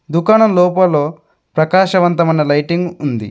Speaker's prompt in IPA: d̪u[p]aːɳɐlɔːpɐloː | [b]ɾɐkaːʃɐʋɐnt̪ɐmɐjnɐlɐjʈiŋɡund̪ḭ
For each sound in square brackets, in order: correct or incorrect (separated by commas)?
incorrect, incorrect